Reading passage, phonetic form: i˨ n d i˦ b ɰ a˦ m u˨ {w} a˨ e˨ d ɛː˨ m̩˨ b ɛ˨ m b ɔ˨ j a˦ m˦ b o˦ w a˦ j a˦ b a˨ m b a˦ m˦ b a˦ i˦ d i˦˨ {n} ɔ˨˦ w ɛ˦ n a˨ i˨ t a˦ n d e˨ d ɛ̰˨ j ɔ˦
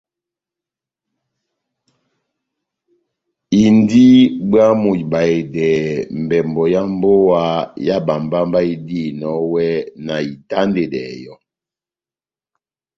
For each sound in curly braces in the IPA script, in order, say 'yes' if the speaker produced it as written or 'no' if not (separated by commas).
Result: no, yes